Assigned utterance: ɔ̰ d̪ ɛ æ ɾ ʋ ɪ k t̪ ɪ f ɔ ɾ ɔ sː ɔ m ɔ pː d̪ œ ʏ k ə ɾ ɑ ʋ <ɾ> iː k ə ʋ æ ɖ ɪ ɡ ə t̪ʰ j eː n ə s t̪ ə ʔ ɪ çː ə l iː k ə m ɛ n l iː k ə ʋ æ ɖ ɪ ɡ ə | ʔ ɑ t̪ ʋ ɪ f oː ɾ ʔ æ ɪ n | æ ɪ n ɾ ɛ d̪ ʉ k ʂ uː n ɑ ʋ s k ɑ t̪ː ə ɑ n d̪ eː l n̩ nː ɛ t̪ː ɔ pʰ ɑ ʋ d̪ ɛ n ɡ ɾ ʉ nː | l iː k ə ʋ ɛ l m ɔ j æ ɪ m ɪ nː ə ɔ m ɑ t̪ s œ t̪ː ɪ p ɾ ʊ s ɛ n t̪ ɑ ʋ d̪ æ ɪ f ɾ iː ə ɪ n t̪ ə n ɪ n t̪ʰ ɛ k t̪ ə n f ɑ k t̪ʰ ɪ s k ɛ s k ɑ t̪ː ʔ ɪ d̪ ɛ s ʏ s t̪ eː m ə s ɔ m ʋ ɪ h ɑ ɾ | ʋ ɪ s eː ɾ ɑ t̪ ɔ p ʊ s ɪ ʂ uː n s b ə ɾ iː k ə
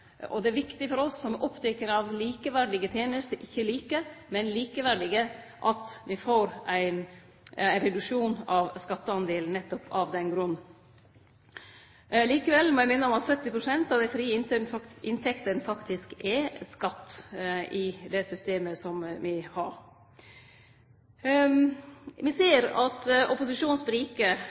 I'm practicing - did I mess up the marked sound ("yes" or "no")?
yes